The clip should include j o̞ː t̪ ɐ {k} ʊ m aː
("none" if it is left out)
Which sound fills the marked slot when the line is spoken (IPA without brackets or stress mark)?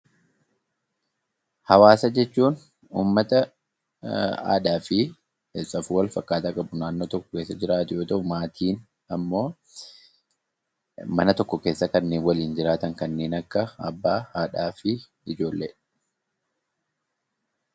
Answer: ʔ